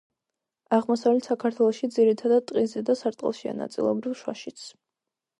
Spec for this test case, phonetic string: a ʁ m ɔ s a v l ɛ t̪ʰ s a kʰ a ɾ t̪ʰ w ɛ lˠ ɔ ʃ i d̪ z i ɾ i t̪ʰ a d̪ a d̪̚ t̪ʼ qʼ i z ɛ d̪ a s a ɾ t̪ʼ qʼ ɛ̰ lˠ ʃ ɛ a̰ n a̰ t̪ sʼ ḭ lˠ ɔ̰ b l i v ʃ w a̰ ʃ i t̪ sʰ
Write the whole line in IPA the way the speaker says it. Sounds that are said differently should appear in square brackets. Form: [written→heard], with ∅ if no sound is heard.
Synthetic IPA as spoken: a ʁ m ɔ s a v l ɛ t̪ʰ s a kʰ a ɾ t̪ʰ w ɛ lˠ ɔ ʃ i d̪ z i ɾ i t̪ʰ a d̪ a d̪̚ t̪ʼ qʼ i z ɛ d̪ a s a ɾ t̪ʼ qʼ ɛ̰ lˠ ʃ [ɛ→i] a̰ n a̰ t̪ sʼ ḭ lˠ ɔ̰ b [l→ɾ] i v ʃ w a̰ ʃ i t̪ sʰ

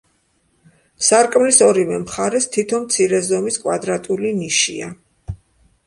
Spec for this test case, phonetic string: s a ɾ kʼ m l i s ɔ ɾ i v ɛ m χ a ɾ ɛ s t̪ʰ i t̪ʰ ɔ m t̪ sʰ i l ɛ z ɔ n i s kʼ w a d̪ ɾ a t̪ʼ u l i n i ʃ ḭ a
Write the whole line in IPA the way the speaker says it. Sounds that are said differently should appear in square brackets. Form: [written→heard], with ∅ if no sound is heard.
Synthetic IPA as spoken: s a ɾ kʼ m l i s ɔ ɾ i v ɛ m χ a ɾ ɛ s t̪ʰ i t̪ʰ ɔ m t̪ sʰ i [l→ɾ] ɛ z ɔ [n→m] i s kʼ w a d̪ ɾ a t̪ʼ u l i n i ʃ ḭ a

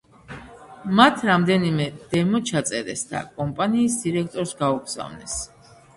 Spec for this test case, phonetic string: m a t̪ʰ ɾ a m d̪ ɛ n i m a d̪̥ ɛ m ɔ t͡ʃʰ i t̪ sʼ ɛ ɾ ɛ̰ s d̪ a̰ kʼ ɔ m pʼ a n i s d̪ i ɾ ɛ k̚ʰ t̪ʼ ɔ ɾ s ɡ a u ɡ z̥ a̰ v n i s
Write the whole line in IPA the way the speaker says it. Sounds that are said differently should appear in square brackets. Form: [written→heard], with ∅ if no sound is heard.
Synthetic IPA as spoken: m a t̪ʰ ɾ a m d̪ ɛ n i m [a→ɛ] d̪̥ ɛ m ɔ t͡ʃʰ [i→a] t̪ sʼ ɛ ɾ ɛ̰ s d̪ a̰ kʼ ɔ m pʼ a n [i→iː] s d̪ i ɾ ɛ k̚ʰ t̪ʼ ɔ ɾ s ɡ a u ɡ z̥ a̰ v n [i→ɛ] s

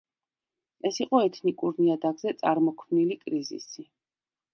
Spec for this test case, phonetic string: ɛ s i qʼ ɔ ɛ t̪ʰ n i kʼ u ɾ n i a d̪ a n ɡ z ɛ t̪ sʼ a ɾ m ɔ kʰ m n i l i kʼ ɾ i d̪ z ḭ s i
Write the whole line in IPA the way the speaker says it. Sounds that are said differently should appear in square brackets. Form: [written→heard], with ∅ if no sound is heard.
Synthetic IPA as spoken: ɛ s i qʼ ɔ ɛ t̪ʰ n i kʼ u ɾ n i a d̪ a [n→∅] ɡ z ɛ t̪ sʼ a ɾ m ɔ kʰ m n i l i kʼ ɾ i [d̪→∅] z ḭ s i

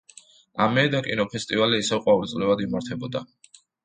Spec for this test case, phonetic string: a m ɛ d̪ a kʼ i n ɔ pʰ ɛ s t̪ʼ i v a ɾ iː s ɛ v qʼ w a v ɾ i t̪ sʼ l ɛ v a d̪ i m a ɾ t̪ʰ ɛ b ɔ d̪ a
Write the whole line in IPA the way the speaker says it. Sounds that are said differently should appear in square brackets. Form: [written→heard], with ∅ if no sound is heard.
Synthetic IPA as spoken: a m ɛ d̪ a kʼ i n ɔ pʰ ɛ s t̪ʼ i v a [ɾ→l] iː s ɛ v qʼ w a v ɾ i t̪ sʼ l ɛ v a d̪ i m a ɾ t̪ʰ ɛ b ɔ d̪ a

